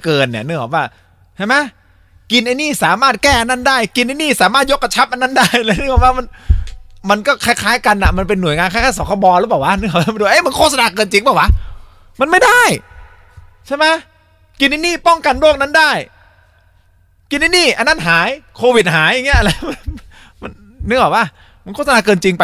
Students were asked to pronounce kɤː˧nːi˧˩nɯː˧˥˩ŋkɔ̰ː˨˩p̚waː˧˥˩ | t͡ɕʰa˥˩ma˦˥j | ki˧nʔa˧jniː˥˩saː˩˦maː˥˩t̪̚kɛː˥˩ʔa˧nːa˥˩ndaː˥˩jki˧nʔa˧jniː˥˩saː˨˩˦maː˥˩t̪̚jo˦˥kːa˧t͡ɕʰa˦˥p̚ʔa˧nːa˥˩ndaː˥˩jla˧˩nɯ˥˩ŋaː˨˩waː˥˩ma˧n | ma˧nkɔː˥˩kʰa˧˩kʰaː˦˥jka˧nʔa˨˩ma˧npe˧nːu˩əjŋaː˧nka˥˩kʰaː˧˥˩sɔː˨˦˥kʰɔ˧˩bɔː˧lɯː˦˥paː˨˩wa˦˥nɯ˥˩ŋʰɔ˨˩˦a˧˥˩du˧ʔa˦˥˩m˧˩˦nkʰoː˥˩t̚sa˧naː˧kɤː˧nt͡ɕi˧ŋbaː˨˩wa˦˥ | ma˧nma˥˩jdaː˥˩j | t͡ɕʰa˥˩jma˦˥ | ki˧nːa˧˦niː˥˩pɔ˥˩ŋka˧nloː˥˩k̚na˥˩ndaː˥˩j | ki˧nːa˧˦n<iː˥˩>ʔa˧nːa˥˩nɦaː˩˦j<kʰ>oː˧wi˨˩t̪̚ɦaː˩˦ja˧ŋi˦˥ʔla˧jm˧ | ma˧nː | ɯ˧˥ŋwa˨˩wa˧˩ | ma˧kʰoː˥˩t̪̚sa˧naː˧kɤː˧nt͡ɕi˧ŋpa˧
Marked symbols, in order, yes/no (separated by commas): yes, yes